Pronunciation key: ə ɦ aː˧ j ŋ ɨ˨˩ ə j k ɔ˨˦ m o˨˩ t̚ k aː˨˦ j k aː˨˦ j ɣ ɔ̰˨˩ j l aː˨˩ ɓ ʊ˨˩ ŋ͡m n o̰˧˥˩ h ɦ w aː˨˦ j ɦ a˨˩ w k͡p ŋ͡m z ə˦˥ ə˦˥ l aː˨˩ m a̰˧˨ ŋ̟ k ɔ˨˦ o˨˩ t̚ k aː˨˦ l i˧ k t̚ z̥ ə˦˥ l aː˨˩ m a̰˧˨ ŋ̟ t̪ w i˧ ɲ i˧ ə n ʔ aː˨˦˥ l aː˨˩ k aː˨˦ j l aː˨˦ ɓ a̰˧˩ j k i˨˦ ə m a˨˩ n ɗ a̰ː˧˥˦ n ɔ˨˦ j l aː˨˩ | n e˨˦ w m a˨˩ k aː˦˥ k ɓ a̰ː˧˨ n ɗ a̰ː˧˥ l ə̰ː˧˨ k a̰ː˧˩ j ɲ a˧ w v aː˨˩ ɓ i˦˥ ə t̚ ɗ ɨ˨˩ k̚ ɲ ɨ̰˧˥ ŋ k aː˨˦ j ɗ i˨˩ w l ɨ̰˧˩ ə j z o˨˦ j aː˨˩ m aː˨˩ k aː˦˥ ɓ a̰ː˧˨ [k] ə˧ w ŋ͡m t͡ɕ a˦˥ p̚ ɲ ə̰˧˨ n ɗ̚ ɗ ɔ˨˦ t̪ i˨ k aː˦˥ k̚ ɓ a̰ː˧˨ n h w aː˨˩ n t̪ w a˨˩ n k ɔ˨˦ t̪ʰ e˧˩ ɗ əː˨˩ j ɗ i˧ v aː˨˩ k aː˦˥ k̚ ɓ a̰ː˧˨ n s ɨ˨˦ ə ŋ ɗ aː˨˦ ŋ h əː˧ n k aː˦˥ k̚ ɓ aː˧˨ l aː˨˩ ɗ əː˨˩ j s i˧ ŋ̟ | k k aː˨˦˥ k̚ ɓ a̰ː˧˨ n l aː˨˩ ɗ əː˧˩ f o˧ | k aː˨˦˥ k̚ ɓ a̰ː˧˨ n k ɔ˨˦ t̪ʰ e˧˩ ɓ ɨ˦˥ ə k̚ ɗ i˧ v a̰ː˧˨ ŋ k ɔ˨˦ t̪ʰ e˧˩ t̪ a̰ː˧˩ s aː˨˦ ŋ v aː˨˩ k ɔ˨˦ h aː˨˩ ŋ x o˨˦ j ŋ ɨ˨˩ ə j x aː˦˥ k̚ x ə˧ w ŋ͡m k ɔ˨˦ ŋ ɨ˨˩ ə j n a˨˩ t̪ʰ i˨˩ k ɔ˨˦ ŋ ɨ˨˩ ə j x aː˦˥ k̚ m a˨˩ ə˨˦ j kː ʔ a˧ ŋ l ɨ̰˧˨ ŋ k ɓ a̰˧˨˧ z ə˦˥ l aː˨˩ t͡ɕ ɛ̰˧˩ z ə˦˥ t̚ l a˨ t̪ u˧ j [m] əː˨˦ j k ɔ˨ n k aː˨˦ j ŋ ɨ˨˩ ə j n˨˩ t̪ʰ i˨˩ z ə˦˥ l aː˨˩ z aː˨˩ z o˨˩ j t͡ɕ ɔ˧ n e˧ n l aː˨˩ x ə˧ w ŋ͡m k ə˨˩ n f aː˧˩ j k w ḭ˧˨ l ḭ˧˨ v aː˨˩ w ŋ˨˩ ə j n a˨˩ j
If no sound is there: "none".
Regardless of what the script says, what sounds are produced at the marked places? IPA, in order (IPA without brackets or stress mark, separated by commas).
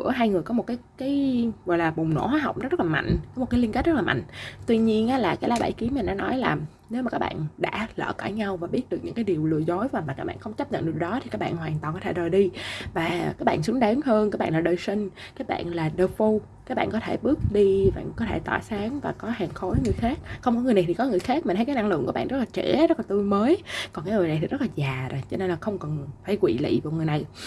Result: x, m